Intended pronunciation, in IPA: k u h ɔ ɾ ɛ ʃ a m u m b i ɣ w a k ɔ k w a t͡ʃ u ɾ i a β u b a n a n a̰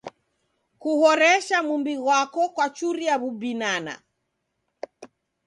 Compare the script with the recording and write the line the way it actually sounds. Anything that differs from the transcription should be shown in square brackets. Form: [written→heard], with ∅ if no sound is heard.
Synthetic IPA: k u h ɔ ɾ ɛ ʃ a m u m b i ɣ w a k ɔ k w a t͡ʃ u ɾ i a β u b [a→i] n a n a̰